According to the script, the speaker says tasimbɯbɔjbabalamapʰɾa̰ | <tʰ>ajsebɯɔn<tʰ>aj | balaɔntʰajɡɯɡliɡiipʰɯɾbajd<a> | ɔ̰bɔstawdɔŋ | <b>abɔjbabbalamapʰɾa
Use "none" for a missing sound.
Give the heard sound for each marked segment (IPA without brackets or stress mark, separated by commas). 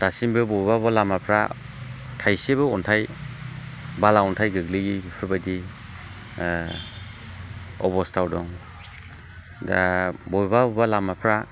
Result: tʰ, tʰ, i, d